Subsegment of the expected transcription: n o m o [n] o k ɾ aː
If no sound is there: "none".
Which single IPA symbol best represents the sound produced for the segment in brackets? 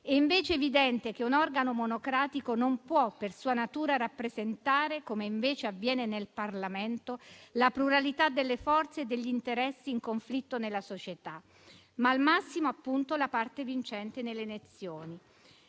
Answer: n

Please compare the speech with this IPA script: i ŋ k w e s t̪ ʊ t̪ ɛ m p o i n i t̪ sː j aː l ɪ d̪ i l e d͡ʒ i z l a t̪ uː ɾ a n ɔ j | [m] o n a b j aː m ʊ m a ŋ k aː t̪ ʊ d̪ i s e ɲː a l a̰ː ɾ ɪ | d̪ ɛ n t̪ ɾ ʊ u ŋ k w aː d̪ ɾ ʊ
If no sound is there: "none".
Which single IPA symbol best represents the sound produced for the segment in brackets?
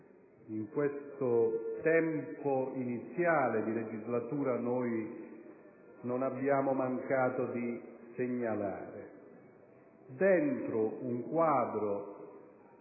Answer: n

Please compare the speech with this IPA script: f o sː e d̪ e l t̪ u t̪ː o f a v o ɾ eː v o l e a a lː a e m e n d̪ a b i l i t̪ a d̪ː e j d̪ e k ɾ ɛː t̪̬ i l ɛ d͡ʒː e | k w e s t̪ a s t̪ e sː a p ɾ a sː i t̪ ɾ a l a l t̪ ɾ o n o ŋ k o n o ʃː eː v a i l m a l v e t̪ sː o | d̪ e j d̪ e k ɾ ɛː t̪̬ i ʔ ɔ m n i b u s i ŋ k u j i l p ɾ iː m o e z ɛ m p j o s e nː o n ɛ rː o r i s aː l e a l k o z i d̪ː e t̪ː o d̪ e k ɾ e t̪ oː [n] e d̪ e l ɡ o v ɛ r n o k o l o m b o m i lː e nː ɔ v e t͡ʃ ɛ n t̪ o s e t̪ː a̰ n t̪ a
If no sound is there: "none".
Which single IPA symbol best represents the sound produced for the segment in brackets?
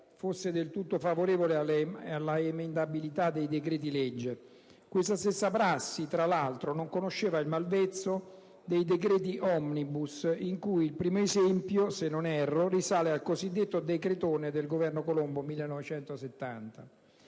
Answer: n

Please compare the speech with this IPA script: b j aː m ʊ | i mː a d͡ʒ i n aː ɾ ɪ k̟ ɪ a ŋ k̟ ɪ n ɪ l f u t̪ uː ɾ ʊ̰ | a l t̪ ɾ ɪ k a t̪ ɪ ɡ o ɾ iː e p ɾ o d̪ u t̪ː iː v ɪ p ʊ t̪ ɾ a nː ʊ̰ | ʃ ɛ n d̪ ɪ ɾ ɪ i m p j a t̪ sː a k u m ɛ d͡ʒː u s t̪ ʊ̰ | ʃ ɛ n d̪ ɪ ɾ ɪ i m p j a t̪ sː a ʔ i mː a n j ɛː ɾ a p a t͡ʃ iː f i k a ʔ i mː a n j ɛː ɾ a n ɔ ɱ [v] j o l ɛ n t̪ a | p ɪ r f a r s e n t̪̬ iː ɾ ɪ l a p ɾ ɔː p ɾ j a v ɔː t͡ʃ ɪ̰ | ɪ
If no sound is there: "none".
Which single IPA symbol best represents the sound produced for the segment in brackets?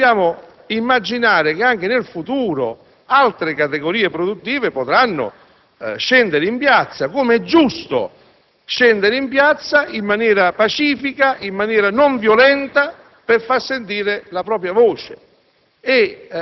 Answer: v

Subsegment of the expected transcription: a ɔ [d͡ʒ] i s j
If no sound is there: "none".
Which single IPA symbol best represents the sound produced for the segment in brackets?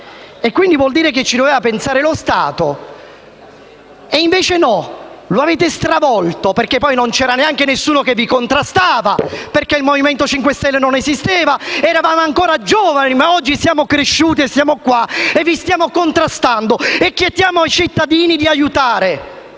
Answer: d͡ʒː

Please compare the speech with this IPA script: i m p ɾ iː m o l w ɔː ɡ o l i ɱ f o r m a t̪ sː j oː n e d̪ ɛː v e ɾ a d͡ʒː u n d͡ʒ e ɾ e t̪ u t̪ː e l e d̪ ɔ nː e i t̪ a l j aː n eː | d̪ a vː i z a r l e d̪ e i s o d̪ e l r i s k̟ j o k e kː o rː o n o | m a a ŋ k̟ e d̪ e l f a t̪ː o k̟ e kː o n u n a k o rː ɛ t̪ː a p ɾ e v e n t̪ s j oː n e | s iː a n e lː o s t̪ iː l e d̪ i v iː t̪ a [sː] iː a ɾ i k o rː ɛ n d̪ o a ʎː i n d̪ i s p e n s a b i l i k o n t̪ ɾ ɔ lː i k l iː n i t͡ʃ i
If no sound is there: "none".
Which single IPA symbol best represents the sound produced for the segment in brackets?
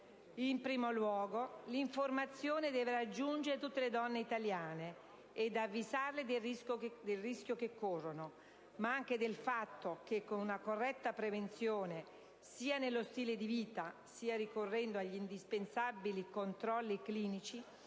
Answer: s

